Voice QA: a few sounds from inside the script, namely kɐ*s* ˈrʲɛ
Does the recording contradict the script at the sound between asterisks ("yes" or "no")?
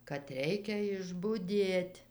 yes